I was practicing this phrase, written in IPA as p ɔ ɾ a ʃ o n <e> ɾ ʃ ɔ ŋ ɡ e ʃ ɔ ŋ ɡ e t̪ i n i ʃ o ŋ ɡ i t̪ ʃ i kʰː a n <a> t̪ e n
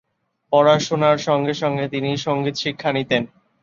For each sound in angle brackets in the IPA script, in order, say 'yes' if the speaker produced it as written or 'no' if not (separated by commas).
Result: no, no